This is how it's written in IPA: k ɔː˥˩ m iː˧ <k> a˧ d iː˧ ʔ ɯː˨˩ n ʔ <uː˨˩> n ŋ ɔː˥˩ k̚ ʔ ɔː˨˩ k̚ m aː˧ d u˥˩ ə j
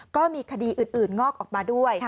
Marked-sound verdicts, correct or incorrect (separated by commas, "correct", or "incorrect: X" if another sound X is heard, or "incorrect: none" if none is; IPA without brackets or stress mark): incorrect: kʰ, incorrect: ɯː˨˩